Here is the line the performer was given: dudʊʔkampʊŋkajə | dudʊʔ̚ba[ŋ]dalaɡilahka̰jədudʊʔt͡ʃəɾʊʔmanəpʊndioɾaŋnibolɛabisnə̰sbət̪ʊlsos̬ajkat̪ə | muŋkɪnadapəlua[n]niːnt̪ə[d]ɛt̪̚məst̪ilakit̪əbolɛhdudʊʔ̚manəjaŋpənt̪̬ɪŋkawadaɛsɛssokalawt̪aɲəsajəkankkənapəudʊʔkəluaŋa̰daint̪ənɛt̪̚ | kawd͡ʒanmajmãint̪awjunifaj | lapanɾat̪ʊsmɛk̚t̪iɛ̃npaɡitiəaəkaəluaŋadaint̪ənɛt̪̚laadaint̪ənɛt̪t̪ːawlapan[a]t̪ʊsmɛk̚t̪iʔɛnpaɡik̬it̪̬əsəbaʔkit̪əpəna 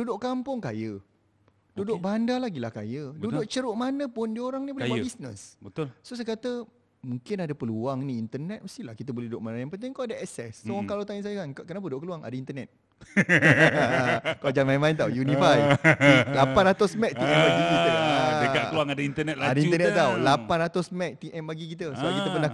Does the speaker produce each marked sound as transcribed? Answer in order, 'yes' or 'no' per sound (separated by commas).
no, no, no, yes